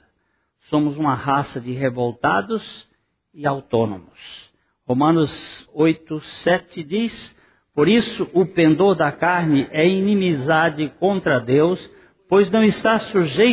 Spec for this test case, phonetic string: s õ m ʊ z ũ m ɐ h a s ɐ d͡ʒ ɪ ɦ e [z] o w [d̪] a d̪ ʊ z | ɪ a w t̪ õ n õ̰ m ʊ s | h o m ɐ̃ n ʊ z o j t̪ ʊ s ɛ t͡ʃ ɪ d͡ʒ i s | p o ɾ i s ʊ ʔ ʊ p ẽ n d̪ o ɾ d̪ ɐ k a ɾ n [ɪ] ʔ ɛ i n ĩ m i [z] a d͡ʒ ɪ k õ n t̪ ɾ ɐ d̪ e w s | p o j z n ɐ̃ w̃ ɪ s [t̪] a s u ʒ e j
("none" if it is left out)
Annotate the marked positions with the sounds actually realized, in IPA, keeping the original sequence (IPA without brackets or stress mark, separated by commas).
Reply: v, t̪, ɪ, z, t̪